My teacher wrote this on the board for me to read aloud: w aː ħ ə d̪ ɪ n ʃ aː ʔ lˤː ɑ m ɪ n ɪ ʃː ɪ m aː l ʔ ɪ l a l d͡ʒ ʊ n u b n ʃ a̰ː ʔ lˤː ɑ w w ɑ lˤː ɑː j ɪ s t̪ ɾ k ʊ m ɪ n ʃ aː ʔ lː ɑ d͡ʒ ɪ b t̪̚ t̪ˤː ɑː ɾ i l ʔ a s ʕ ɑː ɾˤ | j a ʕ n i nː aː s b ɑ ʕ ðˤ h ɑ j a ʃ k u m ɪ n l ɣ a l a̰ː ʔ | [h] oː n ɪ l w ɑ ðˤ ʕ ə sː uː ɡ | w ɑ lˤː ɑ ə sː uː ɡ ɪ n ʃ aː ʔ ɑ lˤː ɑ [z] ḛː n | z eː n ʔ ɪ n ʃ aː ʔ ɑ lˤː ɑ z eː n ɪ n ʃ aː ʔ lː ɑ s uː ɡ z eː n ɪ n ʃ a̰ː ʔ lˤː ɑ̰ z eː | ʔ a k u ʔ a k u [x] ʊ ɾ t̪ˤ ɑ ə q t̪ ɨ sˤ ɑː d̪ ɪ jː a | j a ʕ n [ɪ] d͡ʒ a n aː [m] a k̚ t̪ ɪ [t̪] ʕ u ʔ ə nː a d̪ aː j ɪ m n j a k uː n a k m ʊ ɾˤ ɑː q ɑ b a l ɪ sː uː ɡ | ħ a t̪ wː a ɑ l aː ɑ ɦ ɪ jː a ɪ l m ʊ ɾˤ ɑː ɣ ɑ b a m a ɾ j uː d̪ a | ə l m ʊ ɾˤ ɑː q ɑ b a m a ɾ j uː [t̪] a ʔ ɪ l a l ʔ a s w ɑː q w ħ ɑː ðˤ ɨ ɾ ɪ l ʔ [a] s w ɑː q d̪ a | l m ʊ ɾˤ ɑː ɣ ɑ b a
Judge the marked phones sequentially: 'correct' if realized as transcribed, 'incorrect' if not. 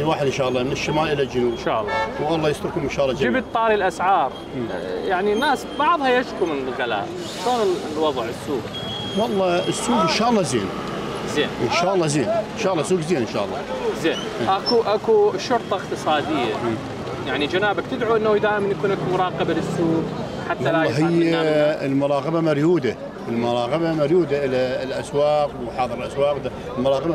incorrect, correct, incorrect, incorrect, incorrect, incorrect, incorrect, correct

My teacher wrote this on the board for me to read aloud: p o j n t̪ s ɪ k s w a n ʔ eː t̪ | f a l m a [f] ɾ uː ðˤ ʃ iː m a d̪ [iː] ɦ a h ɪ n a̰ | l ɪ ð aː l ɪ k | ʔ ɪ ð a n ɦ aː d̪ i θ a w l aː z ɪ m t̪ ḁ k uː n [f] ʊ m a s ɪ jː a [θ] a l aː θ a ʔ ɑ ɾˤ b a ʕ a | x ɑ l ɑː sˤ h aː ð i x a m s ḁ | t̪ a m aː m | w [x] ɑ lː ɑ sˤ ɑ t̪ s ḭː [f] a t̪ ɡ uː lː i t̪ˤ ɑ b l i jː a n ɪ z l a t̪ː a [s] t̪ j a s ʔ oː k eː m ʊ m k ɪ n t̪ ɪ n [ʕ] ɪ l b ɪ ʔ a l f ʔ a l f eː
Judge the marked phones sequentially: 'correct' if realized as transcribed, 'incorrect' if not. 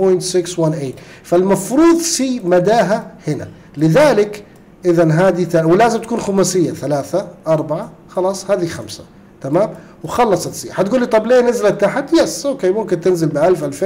correct, incorrect, incorrect, correct, correct, incorrect, incorrect, incorrect

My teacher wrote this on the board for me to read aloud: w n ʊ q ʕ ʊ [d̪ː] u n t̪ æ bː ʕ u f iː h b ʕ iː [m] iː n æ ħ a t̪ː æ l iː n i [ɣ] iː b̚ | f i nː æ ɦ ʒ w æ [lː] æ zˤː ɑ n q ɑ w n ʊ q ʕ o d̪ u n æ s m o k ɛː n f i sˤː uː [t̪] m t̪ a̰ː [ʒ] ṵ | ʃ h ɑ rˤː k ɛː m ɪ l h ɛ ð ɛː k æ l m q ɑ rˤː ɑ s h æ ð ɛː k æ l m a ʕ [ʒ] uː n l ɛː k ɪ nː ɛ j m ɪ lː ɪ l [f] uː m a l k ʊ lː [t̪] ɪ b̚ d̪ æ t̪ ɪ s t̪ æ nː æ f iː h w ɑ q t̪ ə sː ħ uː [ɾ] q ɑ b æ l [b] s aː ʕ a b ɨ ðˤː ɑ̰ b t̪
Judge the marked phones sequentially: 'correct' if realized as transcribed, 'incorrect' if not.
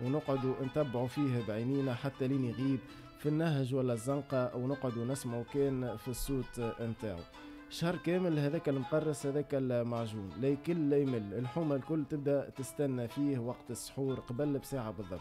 incorrect, incorrect, correct, correct, correct, incorrect, correct, incorrect, correct, correct, correct

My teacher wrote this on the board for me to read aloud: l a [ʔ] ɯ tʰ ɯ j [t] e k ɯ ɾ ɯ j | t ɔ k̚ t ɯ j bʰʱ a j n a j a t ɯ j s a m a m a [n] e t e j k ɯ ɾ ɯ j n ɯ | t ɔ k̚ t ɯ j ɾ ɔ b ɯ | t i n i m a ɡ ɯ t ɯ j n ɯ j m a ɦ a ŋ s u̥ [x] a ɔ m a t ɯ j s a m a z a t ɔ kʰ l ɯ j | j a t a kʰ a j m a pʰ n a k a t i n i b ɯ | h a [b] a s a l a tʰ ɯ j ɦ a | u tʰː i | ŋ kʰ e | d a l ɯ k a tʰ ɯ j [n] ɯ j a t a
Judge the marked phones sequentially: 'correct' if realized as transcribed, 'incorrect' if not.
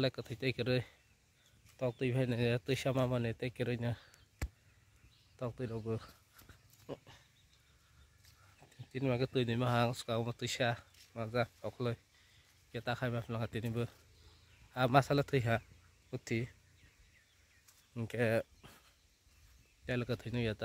incorrect, correct, correct, incorrect, incorrect, correct

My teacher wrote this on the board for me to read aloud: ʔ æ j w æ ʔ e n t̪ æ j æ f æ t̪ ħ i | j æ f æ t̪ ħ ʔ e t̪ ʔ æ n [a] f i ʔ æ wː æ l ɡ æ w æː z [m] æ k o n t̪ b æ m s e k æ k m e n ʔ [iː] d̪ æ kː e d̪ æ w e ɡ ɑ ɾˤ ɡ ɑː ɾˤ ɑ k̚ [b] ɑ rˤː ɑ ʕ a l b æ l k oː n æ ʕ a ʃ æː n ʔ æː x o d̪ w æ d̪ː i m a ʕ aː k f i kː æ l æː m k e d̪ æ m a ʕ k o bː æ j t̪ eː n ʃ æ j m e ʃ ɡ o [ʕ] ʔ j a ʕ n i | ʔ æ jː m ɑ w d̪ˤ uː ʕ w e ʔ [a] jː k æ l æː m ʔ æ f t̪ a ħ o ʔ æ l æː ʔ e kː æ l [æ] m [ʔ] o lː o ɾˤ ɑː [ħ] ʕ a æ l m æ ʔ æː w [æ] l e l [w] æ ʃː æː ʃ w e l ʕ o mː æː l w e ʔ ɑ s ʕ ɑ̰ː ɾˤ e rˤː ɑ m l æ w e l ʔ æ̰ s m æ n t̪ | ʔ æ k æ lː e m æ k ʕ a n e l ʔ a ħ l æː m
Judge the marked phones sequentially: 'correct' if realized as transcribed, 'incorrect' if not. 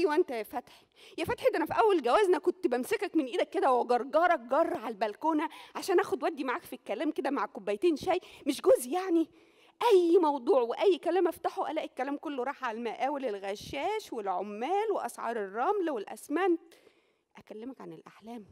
incorrect, incorrect, correct, incorrect, incorrect, incorrect, incorrect, incorrect, correct, incorrect, incorrect

